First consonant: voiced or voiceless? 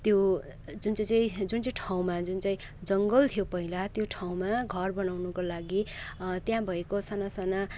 voiceless